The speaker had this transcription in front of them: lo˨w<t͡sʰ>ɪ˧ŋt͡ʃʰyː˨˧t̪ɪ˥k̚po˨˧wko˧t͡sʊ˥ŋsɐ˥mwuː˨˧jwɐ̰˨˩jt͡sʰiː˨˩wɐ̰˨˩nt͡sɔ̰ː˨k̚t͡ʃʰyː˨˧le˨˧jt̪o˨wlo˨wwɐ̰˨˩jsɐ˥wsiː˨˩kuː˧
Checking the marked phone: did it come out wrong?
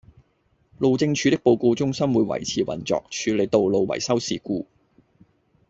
yes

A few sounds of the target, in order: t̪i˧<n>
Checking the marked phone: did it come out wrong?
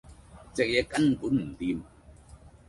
yes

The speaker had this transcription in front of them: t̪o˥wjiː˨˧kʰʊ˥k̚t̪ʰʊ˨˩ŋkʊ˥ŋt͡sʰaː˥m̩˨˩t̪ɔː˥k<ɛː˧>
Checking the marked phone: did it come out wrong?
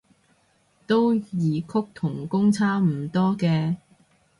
no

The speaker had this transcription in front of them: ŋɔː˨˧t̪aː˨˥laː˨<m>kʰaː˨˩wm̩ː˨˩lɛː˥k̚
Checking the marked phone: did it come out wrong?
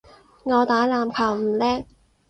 no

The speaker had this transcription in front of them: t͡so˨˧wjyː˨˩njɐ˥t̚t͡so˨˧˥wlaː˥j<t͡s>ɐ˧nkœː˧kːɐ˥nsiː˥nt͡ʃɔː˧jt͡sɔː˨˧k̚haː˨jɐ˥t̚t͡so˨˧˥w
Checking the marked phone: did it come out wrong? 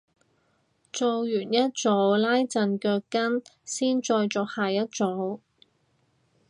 no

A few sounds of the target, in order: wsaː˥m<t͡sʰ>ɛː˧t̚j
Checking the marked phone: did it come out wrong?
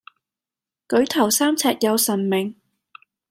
no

